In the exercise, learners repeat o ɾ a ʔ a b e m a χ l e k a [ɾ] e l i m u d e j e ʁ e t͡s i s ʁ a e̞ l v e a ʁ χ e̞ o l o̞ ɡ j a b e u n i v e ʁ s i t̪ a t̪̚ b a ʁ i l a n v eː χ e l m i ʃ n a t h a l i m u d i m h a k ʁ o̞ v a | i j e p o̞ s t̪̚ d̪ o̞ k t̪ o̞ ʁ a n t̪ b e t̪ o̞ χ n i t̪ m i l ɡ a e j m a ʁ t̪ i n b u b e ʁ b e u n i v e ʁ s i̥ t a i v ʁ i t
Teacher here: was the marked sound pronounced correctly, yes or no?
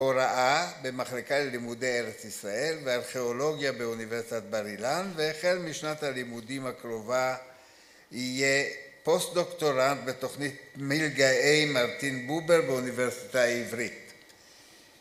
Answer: no